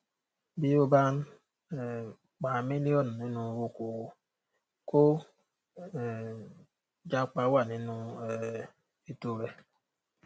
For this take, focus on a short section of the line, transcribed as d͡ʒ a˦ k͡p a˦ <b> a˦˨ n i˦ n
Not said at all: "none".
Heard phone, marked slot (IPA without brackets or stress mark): w